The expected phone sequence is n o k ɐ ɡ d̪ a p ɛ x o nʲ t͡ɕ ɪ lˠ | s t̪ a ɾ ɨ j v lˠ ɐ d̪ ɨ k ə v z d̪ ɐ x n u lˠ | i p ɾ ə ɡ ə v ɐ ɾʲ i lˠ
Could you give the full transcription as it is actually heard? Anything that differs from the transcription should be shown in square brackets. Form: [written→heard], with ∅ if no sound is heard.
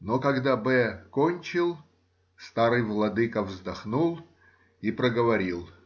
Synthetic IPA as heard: n o k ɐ ɡ d̪ a [p→b] ɛ [x→k] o nʲ t͡ɕ ɪ lˠ | s t̪ a ɾ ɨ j v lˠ ɐ d̪ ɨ k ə v z d̪ ɐ x n u lˠ | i p ɾ ə ɡ ə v ɐ ɾʲ i lˠ